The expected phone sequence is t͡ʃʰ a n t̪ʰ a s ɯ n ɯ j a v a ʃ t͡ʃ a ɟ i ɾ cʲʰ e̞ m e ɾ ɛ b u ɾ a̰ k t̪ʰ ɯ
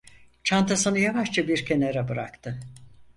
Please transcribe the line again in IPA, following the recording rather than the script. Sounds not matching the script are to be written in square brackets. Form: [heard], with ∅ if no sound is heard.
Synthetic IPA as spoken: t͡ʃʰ a n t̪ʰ a s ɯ n ɯ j a v a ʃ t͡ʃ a [b] i ɾ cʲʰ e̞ [n] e ɾ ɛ b [ɯ] ɾ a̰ k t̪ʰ ɯ